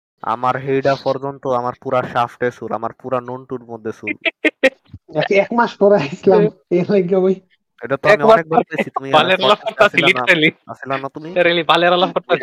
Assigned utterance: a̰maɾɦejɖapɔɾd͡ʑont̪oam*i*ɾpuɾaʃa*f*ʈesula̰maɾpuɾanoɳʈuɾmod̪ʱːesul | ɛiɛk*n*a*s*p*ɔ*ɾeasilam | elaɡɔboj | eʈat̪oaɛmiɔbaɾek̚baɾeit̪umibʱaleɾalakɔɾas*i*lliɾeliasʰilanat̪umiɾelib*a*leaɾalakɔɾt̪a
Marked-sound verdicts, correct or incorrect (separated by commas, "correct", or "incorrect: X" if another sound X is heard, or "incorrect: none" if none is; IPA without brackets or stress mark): incorrect: a, correct, incorrect: m, incorrect: ʃ, correct, correct, correct